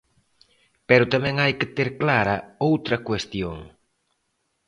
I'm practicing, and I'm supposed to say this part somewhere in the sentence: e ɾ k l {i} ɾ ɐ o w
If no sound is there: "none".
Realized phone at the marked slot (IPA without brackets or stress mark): a